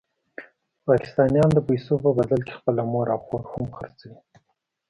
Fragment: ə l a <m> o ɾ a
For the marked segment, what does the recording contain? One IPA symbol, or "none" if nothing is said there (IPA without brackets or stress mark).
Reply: m